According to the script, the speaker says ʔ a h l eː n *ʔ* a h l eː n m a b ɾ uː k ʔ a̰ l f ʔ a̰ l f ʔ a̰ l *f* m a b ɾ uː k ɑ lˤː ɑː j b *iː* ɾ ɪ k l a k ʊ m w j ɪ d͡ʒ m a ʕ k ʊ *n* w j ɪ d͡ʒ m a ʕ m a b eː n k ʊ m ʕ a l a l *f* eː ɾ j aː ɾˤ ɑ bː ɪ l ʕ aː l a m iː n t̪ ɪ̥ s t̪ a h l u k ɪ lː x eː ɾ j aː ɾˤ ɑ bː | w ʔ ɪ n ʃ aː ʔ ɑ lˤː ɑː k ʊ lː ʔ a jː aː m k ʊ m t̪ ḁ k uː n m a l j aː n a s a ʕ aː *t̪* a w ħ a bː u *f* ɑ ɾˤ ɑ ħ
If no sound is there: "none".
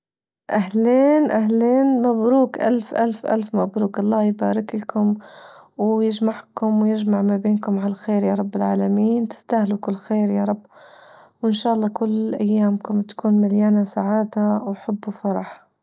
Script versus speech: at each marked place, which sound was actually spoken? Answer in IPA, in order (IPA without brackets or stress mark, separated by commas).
ʔ, f, aː, m, x, d̪, f